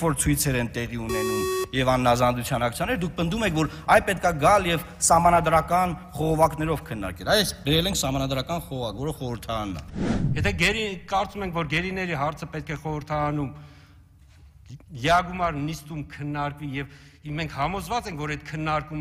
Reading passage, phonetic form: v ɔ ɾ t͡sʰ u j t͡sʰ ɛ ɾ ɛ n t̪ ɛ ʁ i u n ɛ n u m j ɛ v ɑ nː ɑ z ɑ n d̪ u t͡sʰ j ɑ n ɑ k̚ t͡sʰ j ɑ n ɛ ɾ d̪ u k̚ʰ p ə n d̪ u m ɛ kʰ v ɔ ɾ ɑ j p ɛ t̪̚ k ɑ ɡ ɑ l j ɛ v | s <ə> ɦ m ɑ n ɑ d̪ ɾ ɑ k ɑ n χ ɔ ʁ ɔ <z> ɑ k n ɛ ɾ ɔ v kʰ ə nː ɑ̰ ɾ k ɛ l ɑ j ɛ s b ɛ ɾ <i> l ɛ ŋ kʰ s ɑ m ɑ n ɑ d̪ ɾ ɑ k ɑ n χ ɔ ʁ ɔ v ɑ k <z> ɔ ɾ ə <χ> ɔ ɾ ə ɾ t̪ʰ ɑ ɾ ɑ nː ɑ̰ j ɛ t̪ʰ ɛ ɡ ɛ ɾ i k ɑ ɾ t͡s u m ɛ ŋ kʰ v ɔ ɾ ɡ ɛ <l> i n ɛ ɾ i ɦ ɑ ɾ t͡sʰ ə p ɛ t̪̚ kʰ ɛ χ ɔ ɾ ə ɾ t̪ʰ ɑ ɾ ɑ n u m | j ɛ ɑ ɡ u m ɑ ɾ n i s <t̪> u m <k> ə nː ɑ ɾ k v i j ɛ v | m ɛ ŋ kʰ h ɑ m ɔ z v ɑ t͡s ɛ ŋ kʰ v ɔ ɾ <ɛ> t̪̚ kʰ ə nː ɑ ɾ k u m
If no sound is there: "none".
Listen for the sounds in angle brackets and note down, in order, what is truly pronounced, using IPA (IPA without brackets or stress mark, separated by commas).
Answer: ɑ, v, ɛ, v, χ, ɾ, t̪, kʰ, ɛ